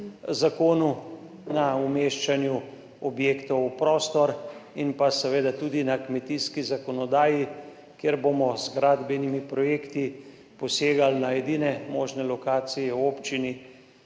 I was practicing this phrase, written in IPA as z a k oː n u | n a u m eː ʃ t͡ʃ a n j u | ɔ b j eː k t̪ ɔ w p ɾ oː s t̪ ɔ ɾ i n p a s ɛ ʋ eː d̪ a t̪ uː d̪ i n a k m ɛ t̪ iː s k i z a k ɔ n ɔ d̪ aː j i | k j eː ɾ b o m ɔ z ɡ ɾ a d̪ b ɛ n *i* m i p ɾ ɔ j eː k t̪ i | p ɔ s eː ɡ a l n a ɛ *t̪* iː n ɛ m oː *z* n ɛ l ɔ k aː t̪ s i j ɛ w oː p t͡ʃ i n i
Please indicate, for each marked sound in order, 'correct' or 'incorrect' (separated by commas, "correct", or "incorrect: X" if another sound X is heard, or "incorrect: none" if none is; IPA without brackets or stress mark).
correct, incorrect: d̪, incorrect: ʒ